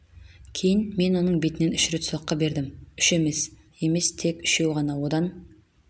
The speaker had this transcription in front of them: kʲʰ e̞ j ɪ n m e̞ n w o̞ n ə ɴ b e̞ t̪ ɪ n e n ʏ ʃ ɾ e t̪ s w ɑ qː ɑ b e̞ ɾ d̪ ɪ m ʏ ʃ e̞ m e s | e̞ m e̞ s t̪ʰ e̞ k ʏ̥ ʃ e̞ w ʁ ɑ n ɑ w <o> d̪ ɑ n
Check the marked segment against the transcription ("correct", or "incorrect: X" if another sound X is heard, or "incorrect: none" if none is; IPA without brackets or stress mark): correct